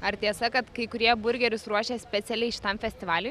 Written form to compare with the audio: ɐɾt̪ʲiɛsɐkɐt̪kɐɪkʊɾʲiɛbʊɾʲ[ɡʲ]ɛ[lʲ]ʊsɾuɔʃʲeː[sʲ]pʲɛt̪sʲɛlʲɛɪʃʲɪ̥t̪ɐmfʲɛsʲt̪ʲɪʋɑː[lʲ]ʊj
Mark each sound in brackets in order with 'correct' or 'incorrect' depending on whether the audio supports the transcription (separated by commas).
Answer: correct, incorrect, correct, correct